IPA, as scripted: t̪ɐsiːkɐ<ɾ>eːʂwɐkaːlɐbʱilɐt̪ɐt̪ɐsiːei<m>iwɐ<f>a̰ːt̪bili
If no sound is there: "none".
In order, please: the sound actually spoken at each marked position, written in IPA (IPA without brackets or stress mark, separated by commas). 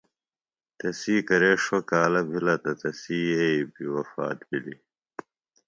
ɾ, b, f